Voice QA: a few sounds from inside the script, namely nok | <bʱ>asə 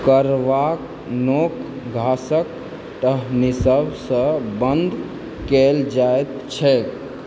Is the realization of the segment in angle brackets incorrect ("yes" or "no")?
yes